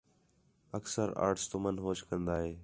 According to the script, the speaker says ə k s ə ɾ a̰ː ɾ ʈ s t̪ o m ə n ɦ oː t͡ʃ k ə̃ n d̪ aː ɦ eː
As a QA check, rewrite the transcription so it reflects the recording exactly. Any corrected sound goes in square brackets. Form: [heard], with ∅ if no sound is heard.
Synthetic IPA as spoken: ə k s ə ɾ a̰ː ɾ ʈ s t̪ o m ə n ɦ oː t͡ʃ k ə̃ n d̪ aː ɦ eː